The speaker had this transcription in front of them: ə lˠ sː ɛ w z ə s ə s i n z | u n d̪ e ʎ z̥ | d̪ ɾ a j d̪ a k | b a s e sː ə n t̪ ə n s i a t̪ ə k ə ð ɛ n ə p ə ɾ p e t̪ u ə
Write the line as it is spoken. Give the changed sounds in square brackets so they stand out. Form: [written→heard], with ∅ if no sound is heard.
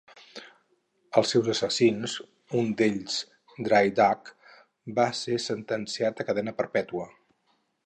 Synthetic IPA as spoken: ə lˠ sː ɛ w z ə s ə s i n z | u n d̪ e ʎ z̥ | d̪ ɾ a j d̪ a k | b a s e [sː→s] ə n t̪ ə n s i a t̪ ə k ə ð ɛ n ə p ə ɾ p [e→ɛ] t̪ u ə